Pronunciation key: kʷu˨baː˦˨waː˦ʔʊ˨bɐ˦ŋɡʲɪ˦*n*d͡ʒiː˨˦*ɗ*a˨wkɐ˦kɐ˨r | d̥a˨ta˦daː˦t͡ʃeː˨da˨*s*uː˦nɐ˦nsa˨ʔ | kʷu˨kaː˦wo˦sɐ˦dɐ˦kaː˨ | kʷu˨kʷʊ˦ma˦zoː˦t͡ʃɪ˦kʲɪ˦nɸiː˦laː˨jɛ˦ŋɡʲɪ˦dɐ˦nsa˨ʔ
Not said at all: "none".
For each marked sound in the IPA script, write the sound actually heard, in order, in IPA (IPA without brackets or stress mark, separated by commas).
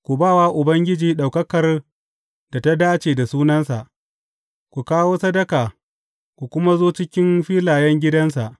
none, ɗ, s